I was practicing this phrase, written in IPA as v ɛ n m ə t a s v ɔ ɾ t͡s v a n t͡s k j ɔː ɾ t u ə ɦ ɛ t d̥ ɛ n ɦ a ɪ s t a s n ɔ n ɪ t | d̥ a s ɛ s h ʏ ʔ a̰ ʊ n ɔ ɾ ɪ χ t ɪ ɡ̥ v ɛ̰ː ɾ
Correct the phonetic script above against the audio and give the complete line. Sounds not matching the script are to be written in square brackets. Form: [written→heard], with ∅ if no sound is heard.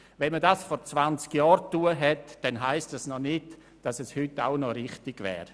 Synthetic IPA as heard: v ɛ n m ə [t→d] a s [v→f] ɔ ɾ t͡s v a n t͡s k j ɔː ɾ t u ə ɦ ɛ t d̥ ɛ n ɦ a ɪ s t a s n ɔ n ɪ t | d̥ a s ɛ s h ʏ [ʔ→t] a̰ ʊ n ɔ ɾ ɪ χ t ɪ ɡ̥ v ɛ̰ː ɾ